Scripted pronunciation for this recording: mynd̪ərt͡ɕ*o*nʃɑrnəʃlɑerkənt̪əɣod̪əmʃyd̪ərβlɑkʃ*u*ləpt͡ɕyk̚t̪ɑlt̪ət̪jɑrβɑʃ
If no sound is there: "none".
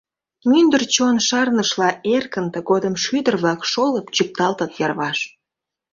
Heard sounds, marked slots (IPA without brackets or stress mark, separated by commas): o, o